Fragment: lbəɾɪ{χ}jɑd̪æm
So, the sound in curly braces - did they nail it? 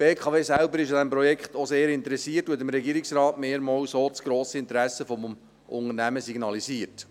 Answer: no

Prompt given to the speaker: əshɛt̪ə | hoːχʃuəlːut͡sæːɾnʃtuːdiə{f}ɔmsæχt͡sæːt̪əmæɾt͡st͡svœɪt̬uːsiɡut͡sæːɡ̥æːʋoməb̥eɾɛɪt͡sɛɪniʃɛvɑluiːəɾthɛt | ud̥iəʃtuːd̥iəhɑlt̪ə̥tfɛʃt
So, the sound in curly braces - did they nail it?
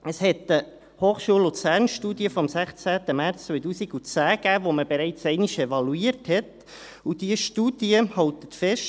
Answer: yes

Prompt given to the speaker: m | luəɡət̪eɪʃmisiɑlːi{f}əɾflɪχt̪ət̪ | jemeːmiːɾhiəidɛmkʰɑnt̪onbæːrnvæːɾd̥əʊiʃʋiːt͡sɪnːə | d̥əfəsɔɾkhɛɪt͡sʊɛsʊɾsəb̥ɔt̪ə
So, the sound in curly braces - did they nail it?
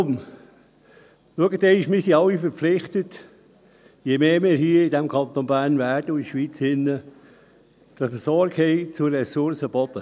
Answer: yes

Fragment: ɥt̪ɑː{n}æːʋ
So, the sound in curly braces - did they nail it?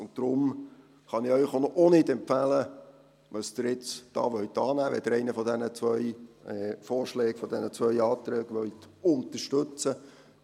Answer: yes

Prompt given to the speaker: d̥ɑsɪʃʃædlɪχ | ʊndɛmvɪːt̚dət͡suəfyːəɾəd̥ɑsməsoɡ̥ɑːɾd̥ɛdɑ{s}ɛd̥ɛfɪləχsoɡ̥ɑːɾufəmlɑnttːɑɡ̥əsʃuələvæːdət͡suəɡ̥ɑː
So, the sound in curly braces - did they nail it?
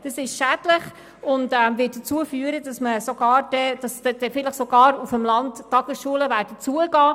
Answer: yes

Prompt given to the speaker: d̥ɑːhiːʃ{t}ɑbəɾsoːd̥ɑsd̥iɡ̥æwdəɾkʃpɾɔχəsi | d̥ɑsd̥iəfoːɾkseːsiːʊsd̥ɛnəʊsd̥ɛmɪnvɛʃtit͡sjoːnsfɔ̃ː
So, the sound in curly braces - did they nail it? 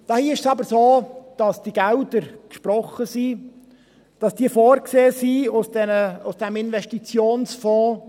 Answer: no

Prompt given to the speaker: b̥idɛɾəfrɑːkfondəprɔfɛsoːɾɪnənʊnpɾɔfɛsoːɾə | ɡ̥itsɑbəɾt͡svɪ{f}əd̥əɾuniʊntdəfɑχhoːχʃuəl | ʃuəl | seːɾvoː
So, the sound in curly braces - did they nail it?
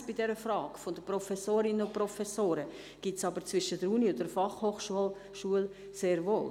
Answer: no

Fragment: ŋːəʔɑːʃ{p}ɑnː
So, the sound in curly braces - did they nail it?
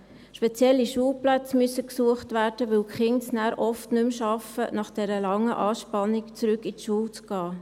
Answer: yes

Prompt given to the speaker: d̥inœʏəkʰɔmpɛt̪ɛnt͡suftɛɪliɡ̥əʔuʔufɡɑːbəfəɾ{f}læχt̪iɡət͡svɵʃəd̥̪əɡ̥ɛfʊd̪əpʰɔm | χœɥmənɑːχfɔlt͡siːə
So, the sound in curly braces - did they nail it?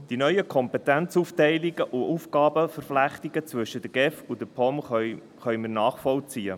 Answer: yes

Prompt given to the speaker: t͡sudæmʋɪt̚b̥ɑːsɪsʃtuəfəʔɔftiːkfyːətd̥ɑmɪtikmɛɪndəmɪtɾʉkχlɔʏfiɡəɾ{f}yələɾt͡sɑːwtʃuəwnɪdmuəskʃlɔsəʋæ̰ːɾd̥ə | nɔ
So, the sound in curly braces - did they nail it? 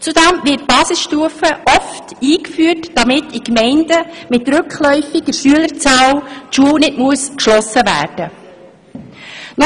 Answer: no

